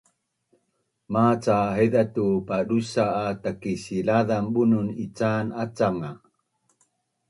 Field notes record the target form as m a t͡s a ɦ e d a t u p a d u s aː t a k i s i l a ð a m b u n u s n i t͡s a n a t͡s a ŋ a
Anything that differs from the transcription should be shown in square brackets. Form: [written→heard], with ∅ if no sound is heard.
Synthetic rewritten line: m a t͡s a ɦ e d a t u p a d u s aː t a k i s i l a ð a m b u n u [s→∅] n i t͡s a n a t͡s a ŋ a

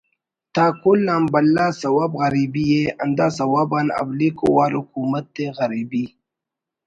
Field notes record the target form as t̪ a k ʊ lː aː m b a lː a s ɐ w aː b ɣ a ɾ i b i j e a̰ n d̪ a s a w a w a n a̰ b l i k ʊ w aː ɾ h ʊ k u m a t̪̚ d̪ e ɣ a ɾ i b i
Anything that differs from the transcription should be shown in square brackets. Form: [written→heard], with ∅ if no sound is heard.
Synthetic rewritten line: t̪ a k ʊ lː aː m b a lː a s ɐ w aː b ɣ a ɾ i b i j e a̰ n d̪ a s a w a [w→b] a n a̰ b l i k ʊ w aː ɾ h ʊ k u m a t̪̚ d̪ e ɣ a ɾ i b i

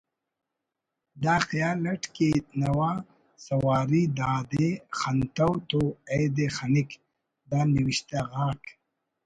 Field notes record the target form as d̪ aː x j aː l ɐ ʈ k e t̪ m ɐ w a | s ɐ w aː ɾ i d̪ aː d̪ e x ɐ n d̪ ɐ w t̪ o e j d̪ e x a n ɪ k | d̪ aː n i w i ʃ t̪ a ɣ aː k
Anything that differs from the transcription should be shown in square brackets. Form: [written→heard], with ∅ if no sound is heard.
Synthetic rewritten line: d̪ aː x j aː l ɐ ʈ k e t̪ [m→n] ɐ w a | s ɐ w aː ɾ i d̪ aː d̪ e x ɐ n [d̪→t̪] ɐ w t̪ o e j d̪ e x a n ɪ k | d̪ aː n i w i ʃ t̪ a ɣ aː k

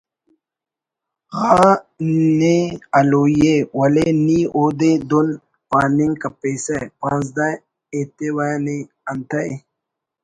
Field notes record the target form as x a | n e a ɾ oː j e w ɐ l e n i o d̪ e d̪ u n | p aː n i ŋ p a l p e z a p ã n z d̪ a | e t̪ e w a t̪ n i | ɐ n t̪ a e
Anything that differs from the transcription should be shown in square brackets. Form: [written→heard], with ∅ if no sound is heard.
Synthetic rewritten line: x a | n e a [ɾ→l] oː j e w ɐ l e n i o d̪ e d̪ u n | p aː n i ŋ [p→k] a [l→∅] p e [z→s] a p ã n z d̪ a | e t̪ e w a [t̪→∅] n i | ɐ n t̪ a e

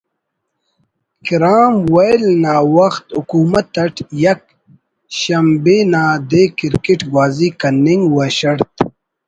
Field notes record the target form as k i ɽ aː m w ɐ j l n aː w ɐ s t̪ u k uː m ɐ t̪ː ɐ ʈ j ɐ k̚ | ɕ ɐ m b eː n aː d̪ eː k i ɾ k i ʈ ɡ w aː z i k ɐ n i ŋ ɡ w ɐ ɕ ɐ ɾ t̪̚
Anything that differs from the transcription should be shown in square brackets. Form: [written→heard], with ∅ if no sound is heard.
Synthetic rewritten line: k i [ɽ→ɾ] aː m w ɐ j l n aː w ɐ [s→x] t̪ u k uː m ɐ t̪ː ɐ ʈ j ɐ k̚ | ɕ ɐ m b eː n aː d̪ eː k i ɾ k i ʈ ɡ w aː z i k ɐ n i ŋ ɡ w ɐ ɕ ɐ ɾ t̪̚

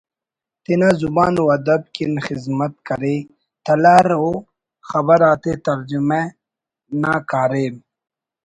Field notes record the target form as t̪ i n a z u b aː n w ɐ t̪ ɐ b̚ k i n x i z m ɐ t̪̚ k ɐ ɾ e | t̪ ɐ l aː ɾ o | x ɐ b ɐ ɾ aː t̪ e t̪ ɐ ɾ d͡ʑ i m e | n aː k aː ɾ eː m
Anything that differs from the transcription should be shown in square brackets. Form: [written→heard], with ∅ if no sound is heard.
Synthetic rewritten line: t̪ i n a z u b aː n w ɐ [t̪→d̪] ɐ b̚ k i n x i z m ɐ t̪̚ k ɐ ɾ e | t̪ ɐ l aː ɾ o | x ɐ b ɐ ɾ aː t̪ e t̪ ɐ ɾ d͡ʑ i m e | n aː k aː ɾ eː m

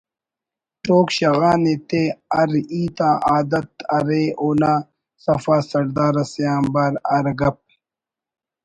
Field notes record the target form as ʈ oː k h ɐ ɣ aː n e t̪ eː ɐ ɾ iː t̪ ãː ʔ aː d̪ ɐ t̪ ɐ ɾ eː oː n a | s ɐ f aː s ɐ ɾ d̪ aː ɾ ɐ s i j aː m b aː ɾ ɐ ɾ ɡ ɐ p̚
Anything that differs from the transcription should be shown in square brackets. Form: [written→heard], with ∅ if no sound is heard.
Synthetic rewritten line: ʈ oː k [h→ɕ] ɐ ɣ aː n e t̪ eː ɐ ɾ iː t̪ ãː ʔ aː d̪ ɐ t̪ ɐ ɾ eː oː n a | s ɐ f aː s ɐ ɾ d̪ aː ɾ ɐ s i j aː m b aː ɾ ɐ ɾ ɡ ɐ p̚

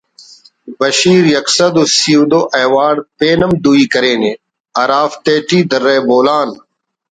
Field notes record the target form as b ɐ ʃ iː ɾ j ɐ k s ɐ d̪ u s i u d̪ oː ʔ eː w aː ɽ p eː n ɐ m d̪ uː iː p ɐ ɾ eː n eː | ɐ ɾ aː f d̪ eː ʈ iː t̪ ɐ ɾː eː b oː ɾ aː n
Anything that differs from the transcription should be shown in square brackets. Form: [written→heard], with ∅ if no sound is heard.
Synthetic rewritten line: b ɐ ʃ iː ɾ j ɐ k s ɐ d̪ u s i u d̪ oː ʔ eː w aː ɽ p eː n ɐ m d̪ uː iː [p→k] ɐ ɾ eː n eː | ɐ ɾ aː f [d̪→t̪] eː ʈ iː [t̪→d̪] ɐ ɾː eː b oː [ɾ→l] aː n

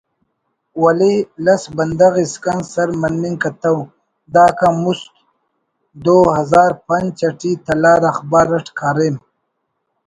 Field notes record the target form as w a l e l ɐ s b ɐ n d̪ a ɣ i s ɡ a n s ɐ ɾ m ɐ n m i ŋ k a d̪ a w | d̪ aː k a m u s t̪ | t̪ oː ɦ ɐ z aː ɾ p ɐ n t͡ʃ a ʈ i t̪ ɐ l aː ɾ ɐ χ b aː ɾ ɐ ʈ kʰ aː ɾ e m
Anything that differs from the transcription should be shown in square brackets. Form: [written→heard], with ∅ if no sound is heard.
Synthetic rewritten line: w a l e l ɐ s b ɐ n d̪ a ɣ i s [ɡ→k] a n s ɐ ɾ m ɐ n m i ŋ k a [d̪→t̪] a w | d̪ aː k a m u s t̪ | [t̪→d̪] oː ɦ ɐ z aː ɾ p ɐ n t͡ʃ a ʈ i t̪ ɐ l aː ɾ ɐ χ b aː ɾ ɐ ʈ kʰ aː ɾ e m

